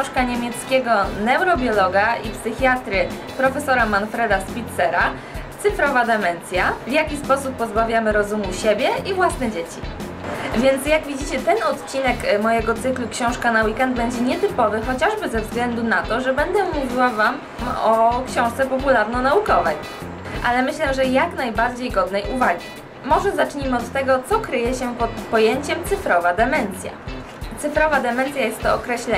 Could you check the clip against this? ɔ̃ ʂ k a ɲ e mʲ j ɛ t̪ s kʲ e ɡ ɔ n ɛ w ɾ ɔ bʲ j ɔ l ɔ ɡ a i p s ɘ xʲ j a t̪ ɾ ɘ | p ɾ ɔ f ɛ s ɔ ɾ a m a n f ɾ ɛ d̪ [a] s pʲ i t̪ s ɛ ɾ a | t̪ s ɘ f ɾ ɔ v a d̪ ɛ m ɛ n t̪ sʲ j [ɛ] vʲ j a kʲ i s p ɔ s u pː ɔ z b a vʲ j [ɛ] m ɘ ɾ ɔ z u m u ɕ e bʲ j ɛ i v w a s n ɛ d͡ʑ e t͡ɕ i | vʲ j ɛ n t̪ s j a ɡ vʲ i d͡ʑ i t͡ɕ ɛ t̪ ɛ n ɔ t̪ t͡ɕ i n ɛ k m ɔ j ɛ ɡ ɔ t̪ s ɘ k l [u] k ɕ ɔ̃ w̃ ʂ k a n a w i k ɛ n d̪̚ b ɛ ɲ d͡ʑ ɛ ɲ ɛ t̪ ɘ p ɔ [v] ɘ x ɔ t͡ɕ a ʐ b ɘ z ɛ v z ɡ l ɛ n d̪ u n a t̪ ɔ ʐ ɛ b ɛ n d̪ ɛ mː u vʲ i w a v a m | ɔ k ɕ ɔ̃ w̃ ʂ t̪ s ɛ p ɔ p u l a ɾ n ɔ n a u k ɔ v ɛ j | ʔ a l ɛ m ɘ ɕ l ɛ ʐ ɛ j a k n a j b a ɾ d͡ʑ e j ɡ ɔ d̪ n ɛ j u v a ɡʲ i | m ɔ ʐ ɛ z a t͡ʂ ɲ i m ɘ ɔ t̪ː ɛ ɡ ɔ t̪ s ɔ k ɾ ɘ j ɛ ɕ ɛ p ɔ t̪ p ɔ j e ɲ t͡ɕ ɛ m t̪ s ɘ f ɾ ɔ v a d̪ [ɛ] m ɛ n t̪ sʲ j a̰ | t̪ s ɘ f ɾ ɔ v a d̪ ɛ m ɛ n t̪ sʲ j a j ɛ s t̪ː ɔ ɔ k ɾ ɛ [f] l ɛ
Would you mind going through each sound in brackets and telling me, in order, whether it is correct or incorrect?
correct, incorrect: a, incorrect: a, correct, correct, correct, incorrect: ɕ

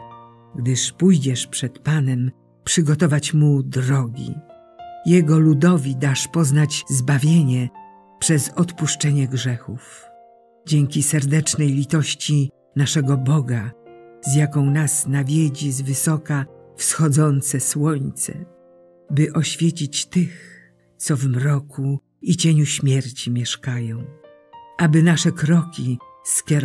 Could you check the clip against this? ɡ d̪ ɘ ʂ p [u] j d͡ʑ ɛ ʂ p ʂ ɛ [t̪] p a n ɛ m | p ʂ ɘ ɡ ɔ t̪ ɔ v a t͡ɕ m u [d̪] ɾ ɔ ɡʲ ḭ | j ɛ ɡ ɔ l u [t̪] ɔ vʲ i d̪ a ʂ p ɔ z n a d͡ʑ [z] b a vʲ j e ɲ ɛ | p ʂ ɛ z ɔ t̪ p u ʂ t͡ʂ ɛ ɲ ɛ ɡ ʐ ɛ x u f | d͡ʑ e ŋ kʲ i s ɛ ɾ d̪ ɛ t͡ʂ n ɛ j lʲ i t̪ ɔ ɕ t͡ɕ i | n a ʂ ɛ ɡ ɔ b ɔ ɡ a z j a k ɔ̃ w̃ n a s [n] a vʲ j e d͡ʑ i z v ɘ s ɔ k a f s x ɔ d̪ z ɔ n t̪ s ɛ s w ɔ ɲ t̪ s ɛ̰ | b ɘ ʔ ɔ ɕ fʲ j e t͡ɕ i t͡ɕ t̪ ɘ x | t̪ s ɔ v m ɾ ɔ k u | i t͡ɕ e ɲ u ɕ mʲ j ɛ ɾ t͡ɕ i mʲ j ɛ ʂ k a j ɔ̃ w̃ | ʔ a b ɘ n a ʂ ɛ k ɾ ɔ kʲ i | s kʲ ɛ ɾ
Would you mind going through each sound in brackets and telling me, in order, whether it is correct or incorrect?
correct, correct, correct, incorrect: d̪, correct, correct

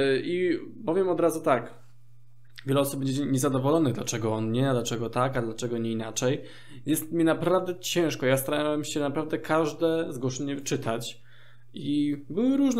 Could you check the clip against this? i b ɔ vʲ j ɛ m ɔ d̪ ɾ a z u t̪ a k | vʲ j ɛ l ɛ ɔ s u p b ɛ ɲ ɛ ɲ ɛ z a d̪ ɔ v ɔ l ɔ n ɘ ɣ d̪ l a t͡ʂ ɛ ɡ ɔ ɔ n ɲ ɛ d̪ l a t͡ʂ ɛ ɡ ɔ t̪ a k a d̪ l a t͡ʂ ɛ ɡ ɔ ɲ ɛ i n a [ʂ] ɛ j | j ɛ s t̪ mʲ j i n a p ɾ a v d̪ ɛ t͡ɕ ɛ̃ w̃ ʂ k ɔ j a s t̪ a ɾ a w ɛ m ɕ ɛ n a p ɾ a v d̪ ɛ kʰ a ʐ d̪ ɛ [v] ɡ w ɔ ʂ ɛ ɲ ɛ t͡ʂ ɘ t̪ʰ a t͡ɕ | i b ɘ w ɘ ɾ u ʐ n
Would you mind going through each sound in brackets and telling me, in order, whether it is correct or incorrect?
incorrect: t͡ʂ, incorrect: z

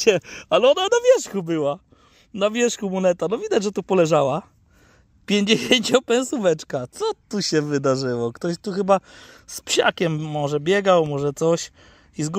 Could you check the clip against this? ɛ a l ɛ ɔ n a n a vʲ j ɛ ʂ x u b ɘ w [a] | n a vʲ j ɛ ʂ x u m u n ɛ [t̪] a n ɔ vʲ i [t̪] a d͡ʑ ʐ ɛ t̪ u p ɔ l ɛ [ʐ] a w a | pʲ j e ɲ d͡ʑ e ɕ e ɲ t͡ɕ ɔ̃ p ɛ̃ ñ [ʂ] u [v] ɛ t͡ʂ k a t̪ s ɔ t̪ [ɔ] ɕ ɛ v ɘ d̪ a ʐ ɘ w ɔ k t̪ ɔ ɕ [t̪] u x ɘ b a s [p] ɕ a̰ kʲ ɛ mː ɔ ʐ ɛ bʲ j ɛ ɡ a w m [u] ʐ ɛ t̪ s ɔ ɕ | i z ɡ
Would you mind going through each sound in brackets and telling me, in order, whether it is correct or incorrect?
correct, correct, incorrect: d̪, correct, incorrect: s, correct, incorrect: u, correct, correct, incorrect: ɔ

